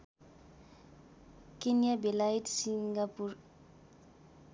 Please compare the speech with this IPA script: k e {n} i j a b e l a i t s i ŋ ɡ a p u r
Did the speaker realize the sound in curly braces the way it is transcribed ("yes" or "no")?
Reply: yes